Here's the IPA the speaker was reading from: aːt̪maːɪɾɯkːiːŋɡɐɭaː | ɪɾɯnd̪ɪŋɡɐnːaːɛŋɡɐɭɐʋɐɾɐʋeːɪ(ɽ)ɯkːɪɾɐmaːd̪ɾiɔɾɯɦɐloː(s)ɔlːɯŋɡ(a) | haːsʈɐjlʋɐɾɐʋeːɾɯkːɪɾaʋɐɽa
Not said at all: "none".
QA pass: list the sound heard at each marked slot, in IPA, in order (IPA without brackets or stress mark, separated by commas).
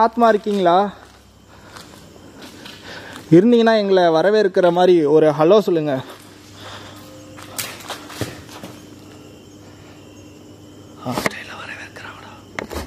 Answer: ɾ, s, ɐ